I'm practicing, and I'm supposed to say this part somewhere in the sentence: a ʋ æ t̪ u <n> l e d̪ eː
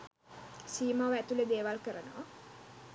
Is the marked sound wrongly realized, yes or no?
yes